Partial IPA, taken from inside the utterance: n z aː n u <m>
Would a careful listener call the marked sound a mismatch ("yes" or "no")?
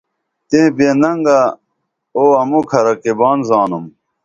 no